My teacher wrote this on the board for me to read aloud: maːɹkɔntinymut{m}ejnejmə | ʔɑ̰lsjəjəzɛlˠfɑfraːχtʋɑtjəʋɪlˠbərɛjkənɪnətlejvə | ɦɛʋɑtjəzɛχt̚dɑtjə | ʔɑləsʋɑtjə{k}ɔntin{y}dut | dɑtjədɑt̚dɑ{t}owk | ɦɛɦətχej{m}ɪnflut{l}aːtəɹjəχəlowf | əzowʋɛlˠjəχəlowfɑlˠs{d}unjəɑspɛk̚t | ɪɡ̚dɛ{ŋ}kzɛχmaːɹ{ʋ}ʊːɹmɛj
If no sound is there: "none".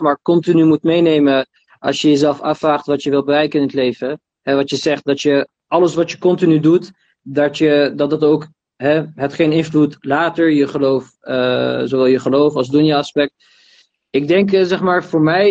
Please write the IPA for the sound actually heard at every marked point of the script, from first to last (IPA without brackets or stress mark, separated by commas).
m, k, y, t, n, l, d, ŋ, v